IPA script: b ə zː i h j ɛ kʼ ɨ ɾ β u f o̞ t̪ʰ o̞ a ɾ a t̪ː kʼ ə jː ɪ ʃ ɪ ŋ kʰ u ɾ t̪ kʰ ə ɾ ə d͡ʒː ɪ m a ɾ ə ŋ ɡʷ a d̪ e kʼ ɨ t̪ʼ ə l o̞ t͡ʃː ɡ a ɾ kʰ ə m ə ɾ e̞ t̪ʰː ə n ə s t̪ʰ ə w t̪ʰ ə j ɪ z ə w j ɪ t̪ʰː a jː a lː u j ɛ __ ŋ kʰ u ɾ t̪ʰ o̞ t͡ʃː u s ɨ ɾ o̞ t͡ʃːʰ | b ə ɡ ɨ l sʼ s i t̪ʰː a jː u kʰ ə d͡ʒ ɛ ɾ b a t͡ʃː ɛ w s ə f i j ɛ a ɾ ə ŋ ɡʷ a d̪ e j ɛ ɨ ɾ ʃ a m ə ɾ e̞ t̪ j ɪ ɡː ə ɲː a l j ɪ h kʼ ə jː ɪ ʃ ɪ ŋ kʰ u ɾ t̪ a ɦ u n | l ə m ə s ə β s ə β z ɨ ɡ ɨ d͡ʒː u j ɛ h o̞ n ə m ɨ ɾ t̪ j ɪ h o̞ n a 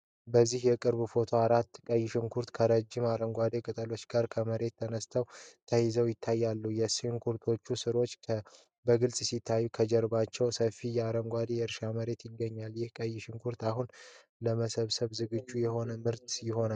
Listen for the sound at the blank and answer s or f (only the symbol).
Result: s